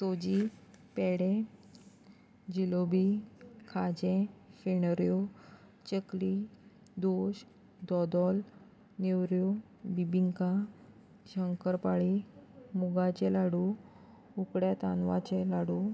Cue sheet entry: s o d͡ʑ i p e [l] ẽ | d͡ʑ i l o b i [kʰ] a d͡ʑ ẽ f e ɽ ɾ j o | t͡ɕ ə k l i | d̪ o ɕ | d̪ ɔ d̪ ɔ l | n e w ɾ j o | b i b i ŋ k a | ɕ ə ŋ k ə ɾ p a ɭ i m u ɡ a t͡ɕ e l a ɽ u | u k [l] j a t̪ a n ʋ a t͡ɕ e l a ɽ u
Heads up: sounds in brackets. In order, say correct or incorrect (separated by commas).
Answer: incorrect, correct, incorrect